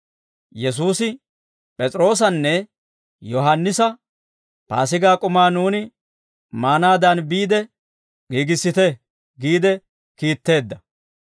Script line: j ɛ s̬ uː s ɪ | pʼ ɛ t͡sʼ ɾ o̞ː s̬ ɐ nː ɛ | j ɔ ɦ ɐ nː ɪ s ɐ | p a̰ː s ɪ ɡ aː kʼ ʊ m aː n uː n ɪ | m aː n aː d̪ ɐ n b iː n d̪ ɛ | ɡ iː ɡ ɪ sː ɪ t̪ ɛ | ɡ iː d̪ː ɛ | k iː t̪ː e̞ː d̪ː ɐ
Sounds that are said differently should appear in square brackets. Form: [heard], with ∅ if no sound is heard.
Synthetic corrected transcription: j ɛ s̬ uː s ɪ | pʼ ɛ t͡sʼ ɾ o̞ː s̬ ɐ nː ɛ | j ɔ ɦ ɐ nː ɪ s ɐ | p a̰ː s ɪ ɡ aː kʼ ʊ m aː n uː n ɪ | m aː n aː d̪ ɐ n b iː [∅] d̪ ɛ | ɡ iː ɡ ɪ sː ɪ t̪ ɛ | ɡ iː [d̪] ɛ | k iː t̪ː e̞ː d̪ː ɐ